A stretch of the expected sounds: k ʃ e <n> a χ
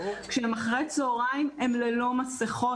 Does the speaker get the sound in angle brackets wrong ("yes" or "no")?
yes